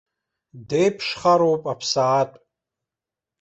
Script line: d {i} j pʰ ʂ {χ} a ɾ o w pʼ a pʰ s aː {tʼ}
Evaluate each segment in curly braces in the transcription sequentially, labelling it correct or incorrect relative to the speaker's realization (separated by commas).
incorrect, correct, correct